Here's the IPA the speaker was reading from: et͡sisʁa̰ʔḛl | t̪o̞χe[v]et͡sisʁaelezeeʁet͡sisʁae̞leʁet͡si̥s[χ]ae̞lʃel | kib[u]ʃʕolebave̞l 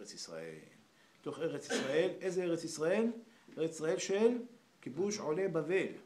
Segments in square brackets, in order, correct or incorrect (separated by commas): incorrect, incorrect, correct